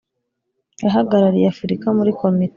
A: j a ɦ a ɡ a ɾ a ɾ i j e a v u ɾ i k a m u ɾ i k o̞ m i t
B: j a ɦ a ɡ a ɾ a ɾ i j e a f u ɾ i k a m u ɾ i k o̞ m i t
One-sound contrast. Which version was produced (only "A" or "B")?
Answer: B